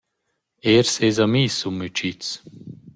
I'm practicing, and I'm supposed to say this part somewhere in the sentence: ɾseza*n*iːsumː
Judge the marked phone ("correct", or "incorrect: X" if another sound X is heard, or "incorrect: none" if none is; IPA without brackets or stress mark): incorrect: m